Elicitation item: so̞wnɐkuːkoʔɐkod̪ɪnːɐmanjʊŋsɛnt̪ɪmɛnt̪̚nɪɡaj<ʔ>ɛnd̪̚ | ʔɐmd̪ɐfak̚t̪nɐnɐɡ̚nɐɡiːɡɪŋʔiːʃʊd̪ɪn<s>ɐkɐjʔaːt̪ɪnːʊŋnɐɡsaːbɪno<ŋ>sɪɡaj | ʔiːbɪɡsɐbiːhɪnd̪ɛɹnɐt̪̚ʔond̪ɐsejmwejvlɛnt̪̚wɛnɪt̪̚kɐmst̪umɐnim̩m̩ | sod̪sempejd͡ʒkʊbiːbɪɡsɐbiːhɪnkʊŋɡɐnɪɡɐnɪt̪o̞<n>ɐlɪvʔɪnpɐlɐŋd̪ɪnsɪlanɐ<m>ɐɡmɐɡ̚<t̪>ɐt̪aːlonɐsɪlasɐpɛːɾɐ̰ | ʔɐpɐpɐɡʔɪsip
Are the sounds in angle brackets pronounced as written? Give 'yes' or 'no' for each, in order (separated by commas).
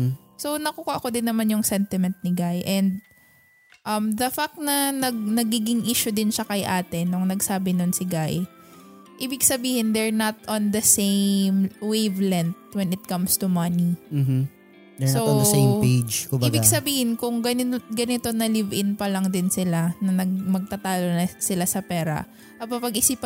yes, no, no, yes, no, yes